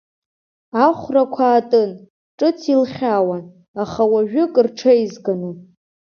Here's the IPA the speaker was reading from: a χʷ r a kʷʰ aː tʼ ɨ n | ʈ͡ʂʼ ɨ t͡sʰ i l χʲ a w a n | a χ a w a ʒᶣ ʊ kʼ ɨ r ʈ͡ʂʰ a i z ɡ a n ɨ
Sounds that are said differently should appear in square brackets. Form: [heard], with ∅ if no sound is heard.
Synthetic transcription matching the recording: a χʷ r a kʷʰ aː tʼ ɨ n | ʈ͡ʂʼ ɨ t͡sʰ i l χʲ a w a n | a χ a w a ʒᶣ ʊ kʼ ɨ r ʈ͡ʂʰ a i z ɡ a n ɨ